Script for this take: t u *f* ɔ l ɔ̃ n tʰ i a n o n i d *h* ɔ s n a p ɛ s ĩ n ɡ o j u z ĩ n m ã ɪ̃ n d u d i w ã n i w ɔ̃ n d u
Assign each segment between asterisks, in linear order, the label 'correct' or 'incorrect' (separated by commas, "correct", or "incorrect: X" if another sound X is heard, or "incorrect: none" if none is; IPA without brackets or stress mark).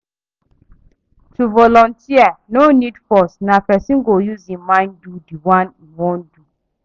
incorrect: v, incorrect: f